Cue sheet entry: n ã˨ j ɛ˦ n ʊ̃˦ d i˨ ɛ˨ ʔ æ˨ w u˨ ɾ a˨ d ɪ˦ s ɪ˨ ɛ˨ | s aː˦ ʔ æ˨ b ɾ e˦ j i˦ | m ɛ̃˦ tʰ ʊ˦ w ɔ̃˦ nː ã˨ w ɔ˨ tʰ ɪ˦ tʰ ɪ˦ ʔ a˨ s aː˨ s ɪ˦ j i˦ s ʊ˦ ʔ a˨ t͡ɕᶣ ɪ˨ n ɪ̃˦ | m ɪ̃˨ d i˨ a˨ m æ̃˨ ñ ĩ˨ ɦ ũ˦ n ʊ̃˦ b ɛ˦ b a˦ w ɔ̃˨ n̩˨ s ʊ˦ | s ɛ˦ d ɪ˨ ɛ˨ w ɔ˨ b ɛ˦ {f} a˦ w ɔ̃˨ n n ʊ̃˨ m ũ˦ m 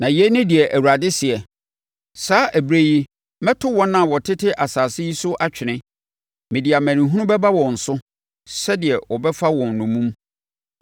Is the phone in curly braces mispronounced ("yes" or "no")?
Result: no